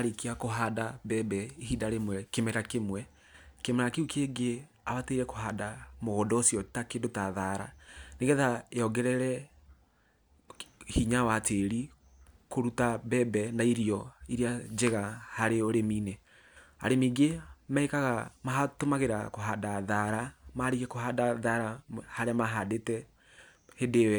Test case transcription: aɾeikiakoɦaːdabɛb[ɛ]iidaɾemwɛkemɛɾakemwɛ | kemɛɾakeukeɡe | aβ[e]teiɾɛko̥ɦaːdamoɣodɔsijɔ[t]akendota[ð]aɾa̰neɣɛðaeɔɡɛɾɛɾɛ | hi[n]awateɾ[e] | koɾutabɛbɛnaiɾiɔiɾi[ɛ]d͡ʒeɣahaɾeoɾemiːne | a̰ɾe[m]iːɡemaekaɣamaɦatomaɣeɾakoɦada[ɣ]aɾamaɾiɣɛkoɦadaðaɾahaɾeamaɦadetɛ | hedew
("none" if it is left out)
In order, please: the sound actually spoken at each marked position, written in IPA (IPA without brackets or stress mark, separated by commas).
ɛ, a, t, ð, ɲ, i, a, m, ð